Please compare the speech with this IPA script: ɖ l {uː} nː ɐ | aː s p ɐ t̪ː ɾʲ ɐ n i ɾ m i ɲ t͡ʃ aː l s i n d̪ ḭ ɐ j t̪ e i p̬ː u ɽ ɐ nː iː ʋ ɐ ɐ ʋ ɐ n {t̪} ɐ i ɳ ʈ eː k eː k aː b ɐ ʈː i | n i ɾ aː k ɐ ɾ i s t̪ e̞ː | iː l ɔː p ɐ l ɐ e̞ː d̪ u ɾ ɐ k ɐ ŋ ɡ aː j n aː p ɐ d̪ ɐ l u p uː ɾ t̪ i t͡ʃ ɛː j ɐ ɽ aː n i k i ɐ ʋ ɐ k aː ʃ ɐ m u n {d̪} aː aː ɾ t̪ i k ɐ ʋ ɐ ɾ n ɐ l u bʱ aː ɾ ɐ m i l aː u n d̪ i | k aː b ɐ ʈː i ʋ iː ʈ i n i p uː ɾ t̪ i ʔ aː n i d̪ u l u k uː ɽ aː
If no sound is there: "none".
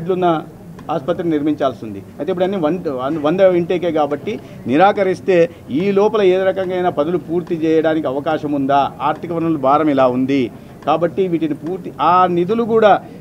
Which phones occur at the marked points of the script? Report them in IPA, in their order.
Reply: u, d̪, d̪

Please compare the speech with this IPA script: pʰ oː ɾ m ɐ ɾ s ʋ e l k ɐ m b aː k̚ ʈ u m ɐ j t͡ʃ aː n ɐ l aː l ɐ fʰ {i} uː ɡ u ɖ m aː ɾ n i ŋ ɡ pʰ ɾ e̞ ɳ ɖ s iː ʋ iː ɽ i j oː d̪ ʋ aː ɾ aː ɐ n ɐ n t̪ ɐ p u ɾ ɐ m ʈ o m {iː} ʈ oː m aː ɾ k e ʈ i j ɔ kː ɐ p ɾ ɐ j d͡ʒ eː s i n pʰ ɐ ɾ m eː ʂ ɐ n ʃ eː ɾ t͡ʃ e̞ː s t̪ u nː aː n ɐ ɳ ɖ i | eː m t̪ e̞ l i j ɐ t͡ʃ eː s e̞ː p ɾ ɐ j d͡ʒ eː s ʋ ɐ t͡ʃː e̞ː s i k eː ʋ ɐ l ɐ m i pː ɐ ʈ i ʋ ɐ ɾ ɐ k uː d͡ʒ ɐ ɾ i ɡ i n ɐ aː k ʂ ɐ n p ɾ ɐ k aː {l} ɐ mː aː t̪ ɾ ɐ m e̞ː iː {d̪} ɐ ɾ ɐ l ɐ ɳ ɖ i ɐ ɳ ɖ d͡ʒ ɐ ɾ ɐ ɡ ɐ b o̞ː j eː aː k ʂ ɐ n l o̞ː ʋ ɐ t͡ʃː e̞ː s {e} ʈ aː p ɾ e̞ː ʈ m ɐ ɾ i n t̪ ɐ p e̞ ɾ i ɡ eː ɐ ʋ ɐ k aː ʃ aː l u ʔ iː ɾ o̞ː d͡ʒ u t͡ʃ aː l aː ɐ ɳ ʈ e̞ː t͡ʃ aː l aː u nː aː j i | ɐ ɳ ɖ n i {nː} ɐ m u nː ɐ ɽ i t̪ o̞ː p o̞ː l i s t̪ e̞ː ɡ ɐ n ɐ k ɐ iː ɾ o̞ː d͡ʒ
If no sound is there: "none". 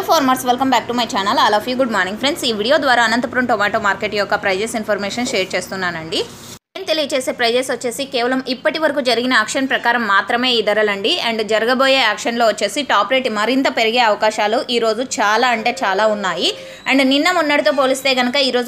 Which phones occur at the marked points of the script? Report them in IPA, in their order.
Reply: j, aː, ɾ, d̪, i, nː

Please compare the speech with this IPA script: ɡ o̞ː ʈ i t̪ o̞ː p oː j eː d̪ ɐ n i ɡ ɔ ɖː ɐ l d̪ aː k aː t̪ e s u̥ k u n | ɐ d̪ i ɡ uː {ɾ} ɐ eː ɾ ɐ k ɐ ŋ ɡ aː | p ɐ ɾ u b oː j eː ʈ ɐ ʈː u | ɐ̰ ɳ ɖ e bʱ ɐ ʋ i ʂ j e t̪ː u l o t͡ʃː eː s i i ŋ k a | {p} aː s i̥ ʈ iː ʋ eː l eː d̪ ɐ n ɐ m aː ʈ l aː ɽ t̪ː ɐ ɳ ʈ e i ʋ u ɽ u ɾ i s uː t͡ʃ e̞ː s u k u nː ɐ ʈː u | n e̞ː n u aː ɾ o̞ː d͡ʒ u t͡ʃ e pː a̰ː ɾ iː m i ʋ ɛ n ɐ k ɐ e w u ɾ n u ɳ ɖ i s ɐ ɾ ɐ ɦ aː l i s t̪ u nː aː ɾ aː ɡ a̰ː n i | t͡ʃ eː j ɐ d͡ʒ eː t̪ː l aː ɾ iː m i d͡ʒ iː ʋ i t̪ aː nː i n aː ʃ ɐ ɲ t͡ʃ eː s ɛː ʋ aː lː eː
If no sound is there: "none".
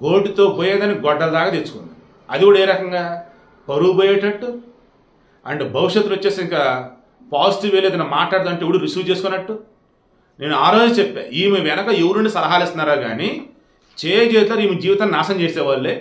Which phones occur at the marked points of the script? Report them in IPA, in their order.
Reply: ɽ, p

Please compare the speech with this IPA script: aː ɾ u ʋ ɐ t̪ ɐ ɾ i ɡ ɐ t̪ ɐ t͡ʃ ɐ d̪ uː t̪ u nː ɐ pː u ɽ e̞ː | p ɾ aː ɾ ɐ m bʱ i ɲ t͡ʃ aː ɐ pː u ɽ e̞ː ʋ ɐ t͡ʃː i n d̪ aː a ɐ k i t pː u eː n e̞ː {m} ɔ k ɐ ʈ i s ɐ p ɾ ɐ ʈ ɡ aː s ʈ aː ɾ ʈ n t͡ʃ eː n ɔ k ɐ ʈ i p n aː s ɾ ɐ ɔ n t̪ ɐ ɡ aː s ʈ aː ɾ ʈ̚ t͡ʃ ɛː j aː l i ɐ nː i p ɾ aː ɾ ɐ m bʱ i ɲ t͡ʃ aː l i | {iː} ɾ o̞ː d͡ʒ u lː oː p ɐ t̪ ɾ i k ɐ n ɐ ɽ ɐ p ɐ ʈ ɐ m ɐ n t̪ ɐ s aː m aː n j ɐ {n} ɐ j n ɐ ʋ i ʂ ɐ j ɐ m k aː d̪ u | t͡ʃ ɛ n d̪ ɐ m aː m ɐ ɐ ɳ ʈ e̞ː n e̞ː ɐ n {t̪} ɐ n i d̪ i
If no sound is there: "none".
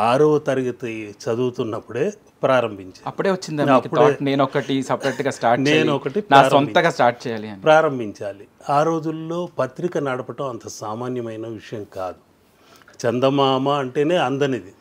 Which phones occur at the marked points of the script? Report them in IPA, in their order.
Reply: n, aː, m, d̪

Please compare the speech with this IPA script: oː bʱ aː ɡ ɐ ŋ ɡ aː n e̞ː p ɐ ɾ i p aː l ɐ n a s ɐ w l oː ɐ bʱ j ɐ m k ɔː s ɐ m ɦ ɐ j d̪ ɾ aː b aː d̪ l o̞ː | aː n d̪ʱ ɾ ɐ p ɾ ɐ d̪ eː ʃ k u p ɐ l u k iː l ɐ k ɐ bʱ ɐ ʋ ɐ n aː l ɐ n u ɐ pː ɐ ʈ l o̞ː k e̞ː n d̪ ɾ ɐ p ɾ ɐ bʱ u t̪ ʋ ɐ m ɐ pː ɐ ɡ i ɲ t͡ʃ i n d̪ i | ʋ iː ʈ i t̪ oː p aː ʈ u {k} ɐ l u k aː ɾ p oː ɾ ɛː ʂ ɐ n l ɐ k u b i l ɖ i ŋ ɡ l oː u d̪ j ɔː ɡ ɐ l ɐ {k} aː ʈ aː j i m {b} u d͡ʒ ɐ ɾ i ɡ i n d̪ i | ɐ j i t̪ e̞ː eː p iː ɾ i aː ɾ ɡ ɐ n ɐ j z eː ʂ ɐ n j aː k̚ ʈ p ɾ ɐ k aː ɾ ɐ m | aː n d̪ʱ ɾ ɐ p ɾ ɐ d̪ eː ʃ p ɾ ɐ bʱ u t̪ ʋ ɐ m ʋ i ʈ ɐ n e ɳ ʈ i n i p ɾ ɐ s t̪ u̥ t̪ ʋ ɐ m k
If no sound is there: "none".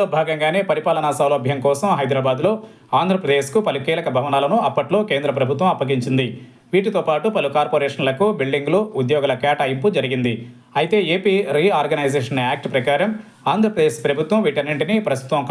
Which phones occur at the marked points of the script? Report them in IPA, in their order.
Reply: p, k, p

